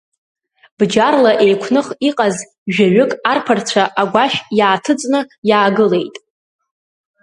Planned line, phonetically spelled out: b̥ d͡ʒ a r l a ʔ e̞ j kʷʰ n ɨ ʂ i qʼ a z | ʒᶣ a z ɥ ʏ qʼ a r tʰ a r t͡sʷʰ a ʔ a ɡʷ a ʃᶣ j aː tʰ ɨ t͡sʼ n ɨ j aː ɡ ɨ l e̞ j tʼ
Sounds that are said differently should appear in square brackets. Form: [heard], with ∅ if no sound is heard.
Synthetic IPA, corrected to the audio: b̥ d͡ʒ a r l a ʔ e̞ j kʷʰ n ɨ [χ] i qʼ a z | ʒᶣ a [∅] ɥ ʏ [kʼ] a r [pʰ] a r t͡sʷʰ a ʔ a ɡʷ a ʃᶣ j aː tʰ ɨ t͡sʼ n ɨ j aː ɡ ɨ l e̞ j tʼ

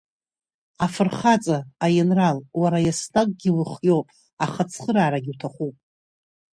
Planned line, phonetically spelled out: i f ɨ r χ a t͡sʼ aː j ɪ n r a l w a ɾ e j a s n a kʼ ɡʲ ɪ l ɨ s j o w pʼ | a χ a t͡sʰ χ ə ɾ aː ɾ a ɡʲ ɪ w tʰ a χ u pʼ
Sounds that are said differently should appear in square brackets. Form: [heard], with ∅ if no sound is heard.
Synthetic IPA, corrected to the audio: [a] f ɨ r χ a t͡sʼ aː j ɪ n r a l w a ɾ [a] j a s n a kʼ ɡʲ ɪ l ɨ [χ] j o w pʼ | a χ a t͡sʰ χ ə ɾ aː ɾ a ɡʲ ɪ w tʰ a χ u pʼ

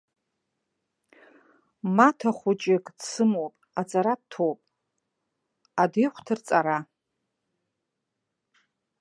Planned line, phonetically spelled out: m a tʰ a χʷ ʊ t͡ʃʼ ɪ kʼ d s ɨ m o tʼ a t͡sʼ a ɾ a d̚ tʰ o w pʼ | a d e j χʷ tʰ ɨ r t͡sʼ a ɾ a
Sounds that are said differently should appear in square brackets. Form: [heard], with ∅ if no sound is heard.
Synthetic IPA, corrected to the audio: m a tʰ a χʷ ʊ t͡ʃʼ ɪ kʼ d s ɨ m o [pʼ] a t͡sʼ a ɾ a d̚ tʰ o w pʼ | a d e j χʷ tʰ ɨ r t͡sʼ a ɾ a

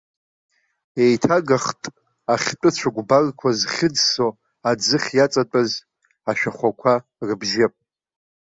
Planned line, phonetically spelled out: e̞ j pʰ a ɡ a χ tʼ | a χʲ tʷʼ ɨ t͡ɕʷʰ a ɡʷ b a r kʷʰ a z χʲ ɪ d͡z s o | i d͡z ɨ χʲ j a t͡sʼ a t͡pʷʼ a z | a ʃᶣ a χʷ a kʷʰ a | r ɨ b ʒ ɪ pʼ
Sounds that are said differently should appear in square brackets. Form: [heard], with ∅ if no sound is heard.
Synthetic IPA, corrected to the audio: e̞ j [tʰ] a ɡ a χ tʼ | a χʲ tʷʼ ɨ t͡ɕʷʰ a ɡʷ b a r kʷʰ a z χʲ ɪ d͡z s o | [a] d͡z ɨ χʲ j a t͡sʼ a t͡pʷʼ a z | a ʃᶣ a χʷ a kʷʰ a | r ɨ b ʒ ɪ pʼ

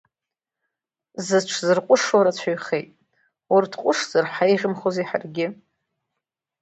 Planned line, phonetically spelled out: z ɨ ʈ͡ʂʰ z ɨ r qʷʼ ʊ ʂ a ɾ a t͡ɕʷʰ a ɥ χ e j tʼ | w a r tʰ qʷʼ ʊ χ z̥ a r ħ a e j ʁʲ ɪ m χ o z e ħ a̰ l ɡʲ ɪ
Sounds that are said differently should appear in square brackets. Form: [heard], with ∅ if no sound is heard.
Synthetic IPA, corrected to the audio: z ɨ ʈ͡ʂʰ z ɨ r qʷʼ ʊ ʂ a ɾ a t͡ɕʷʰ a ɥ χ e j tʼ | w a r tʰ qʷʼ ʊ [ʂ] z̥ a r ħ a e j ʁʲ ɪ m χ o z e ħ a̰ [r] ɡʲ ɪ

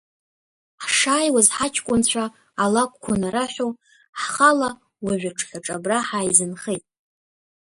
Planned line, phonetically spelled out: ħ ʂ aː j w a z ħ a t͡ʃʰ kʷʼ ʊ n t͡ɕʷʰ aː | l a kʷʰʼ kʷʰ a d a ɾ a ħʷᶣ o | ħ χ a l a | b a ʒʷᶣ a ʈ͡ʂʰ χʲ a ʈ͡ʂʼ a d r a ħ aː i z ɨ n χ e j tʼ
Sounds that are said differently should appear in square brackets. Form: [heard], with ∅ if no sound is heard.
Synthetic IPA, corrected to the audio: ħ ʂ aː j w a z ħ a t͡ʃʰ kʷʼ ʊ n t͡ɕʷʰ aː | l a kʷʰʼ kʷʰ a [n] a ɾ a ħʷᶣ o | ħ χ a l a | [w] a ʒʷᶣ a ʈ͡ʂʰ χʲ a ʈ͡ʂʼ a [b] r a ħ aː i z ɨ n χ e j tʼ

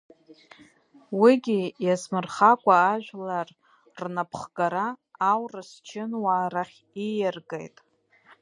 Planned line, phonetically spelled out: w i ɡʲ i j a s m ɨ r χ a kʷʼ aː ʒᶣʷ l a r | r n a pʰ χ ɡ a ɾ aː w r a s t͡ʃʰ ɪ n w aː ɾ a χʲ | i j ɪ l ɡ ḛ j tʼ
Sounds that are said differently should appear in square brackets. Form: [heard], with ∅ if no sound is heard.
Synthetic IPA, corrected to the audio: w i ɡʲ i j a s m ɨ r χ a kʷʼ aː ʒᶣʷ l a r | r n a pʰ χ ɡ a ɾ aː w r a s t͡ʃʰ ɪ n w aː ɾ a χʲ | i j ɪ [r] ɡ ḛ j tʼ

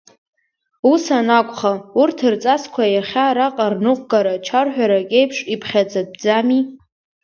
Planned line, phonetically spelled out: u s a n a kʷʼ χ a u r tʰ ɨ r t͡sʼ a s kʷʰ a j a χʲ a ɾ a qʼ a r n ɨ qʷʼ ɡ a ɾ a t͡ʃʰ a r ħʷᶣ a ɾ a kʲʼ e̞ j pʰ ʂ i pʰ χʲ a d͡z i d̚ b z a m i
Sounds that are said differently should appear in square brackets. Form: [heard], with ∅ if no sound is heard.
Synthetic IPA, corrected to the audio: u s a n a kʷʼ χ a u r tʰ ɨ r t͡sʼ a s kʷʰ a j a χʲ a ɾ a qʼ a r n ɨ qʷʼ ɡ a ɾ a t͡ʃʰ a r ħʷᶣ a ɾ a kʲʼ e̞ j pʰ ʂ i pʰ χʲ a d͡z [a] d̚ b [d͡z] a m i

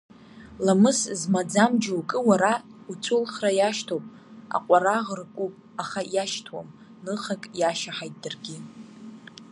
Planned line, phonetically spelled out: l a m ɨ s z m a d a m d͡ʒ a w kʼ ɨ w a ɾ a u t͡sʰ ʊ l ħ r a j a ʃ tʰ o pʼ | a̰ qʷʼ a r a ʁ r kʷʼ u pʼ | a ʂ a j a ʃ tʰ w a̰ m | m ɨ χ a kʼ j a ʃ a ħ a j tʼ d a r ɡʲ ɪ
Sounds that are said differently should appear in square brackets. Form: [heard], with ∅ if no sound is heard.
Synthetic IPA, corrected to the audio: l a m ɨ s z m a [d͡z] a m d͡ʒ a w kʼ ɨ w a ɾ a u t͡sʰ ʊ l [χ] r a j a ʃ tʰ o pʼ | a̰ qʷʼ a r a ʁ r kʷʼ u pʼ | a [χ] a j a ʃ tʰ w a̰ m | [n] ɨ χ a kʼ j a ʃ a ħ a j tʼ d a r ɡʲ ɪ

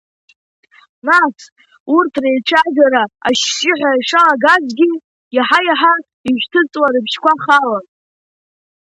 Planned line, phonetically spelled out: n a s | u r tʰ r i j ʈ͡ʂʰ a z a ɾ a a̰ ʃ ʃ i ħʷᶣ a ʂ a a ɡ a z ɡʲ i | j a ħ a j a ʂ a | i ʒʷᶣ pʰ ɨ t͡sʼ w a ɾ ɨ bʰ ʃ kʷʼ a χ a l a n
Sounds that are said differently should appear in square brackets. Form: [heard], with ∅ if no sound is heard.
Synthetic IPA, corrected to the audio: n a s | u r tʰ r [e] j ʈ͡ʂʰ a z a ɾ a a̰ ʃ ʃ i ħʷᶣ a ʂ a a ɡ a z ɡʲ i | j a ħ a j a [ħ] a | i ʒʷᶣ [tʰ] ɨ t͡sʼ w a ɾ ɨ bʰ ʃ [kʷ] a χ a l a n

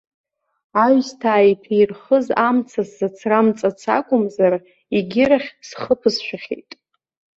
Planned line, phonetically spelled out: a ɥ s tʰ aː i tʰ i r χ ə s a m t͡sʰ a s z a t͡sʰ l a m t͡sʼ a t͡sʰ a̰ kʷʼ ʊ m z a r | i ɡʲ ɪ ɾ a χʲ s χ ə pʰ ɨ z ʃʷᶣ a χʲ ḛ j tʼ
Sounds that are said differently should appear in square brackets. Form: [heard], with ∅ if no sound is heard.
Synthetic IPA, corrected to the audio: a ɥ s tʰ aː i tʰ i r χ ə [z] a m t͡sʰ a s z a t͡sʰ [r] a m t͡sʼ a t͡sʰ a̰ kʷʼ ʊ m z a r | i ɡʲ ɪ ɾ a χʲ s χ ə pʰ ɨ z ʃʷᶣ a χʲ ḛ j tʼ

